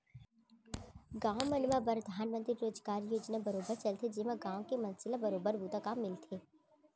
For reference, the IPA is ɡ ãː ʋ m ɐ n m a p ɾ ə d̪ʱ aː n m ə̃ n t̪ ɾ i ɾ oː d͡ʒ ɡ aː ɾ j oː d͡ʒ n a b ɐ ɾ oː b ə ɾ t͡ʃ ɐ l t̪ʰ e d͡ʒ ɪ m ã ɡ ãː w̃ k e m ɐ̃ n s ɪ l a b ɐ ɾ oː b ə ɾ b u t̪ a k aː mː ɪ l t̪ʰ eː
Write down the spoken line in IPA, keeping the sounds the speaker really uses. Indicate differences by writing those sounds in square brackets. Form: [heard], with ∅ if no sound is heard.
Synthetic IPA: ɡ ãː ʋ m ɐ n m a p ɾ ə d̪ʱ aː n m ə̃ n t̪ ɾ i ɾ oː d͡ʒ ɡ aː ɾ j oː d͡ʒ n a b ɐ ɾ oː b ə ɾ t͡ʃ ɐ l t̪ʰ e d͡ʒ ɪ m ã ɡ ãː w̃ k e m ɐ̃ n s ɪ l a b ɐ ɾ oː b ə ɾ b u t̪ a k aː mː ɪ l t̪ʰ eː

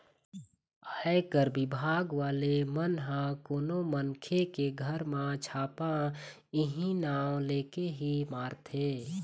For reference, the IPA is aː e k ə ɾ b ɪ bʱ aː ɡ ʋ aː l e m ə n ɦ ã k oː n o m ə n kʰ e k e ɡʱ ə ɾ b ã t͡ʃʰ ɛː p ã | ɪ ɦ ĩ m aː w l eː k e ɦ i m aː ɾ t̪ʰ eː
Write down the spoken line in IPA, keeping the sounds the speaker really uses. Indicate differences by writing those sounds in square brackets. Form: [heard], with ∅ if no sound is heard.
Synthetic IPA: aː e k ə ɾ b ɪ bʱ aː ɡ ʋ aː l e m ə n ɦ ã k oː n o m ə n kʰ e k e ɡʱ ə ɾ [m] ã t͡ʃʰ [aː] p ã | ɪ ɦ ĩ [n] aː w l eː k e ɦ i m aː ɾ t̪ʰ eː

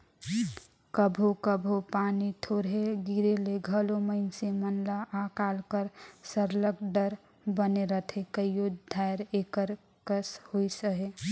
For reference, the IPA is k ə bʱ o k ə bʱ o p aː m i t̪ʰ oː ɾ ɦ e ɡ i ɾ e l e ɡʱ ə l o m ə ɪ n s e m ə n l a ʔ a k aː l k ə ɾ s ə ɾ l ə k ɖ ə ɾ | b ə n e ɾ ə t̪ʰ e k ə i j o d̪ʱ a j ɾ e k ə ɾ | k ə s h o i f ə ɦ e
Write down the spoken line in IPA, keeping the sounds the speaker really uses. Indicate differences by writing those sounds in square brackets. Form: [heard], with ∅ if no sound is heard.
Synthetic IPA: k ə bʱ o k ə bʱ o p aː [n] i t̪ʰ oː ɾ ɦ e ɡ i ɾ e l e ɡʱ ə l o m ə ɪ n s e m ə n l a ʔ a k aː l k ə ɾ s ə ɾ l ə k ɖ ə ɾ | b ə n e ɾ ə t̪ʰ e k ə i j o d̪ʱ a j ɾ e k ə ɾ | k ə s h o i [s] ə ɦ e

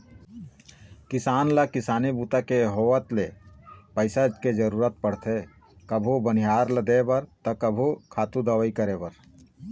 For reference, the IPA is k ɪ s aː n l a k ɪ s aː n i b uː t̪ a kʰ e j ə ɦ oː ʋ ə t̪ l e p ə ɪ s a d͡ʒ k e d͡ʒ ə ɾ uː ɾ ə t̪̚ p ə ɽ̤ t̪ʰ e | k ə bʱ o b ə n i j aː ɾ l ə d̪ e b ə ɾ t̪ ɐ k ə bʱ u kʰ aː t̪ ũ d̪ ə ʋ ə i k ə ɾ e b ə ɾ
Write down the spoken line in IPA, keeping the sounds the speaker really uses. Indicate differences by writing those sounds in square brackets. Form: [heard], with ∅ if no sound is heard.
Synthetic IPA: k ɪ s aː n l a k ɪ s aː n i b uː t̪ a [k] e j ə ɦ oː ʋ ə t̪ l e p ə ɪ s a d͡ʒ k e d͡ʒ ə ɾ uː ɾ ə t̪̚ p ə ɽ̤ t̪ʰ e | k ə bʱ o b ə n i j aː ɾ l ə d̪ e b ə ɾ t̪ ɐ k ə bʱ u kʰ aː t̪ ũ d̪ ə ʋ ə i k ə ɾ e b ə ɾ

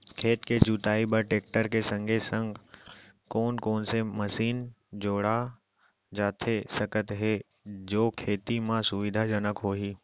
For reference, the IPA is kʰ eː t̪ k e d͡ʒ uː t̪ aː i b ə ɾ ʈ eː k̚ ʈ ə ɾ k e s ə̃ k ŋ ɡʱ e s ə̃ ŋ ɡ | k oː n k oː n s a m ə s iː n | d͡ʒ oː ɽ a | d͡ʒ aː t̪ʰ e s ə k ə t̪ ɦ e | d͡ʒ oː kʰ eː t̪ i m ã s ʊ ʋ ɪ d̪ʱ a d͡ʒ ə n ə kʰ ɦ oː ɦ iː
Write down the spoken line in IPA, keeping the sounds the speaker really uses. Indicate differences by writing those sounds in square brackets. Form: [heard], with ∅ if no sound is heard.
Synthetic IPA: kʰ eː t̪ k e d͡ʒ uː t̪ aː i b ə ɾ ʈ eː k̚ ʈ ə ɾ k e s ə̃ [∅] ŋ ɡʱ e s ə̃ ŋ ɡ | k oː n k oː n s [e] m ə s iː n | d͡ʒ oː ɽ a | d͡ʒ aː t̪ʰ e s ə k ə t̪ ɦ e | d͡ʒ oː kʰ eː t̪ i m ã s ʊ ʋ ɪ d̪ʱ a d͡ʒ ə n ə [k] ɦ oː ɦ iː

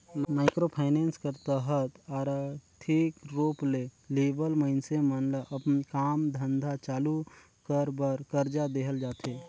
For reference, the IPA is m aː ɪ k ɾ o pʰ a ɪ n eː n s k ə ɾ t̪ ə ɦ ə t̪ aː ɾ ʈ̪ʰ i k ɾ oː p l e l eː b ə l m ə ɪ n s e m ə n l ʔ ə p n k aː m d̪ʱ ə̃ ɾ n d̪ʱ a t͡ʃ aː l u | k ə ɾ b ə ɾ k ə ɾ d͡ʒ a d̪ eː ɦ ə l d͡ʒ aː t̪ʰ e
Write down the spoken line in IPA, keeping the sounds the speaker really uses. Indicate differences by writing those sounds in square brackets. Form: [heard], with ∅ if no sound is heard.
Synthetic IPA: m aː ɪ k ɾ o pʰ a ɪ n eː n s k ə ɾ t̪ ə ɦ ə t̪ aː ɾ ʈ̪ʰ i k ɾ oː p l e l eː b ə l m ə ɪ n s e m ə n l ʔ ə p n k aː m d̪ʱ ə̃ [∅] n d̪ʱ a t͡ʃ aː l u | k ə ɾ b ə ɾ k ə ɾ d͡ʒ a d̪ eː ɦ ə l d͡ʒ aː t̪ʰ e

